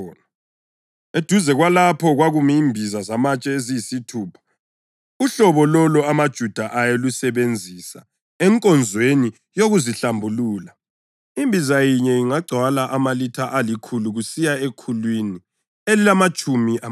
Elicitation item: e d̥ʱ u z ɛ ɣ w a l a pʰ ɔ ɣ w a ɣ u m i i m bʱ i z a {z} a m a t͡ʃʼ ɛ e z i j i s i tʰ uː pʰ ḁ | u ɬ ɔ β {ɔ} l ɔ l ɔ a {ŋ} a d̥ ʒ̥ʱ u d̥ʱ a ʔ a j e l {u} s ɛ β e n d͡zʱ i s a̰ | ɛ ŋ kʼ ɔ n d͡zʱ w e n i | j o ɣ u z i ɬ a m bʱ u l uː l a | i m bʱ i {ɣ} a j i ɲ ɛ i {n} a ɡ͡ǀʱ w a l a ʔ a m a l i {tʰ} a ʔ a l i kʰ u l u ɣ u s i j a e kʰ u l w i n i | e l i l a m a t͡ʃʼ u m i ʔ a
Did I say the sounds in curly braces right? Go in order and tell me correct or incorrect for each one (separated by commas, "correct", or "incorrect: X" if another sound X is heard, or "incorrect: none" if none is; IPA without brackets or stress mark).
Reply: correct, correct, incorrect: m, correct, incorrect: z, incorrect: ŋ, correct